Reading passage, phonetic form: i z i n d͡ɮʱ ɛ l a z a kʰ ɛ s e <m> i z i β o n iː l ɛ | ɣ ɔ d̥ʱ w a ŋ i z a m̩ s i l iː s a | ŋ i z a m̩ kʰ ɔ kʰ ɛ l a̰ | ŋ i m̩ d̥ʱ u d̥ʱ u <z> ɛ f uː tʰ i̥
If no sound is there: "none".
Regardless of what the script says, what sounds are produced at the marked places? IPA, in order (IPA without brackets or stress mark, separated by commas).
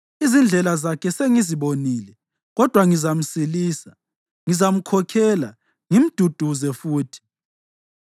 ŋ, z